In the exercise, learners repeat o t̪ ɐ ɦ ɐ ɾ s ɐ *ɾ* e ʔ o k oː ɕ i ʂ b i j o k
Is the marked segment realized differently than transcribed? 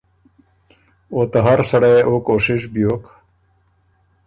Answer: yes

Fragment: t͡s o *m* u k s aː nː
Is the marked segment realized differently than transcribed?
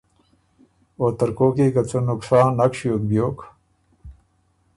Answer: yes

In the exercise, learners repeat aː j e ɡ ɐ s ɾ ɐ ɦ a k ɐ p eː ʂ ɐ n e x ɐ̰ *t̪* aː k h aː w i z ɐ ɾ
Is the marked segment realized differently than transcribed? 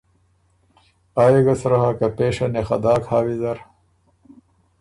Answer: yes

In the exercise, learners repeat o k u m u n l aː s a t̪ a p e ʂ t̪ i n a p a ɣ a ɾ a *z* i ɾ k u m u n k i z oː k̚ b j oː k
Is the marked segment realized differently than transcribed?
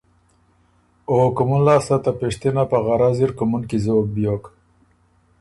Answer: no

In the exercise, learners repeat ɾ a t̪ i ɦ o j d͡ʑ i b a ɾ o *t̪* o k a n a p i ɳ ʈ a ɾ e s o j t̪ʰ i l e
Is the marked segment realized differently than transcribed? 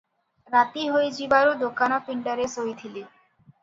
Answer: yes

